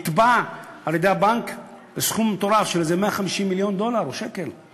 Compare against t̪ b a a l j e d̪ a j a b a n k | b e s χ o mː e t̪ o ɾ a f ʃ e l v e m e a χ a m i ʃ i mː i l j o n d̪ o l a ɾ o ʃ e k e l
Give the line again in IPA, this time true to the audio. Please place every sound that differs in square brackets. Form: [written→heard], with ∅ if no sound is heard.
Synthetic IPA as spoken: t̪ b a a l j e d̪ [a→e] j a b a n k | b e s χ [o→u] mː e t̪ o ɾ a f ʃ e l [v→z] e m e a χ a m i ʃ i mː i l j o n d̪ o l a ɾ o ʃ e k e l